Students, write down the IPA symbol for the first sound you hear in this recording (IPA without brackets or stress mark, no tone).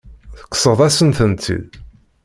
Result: θ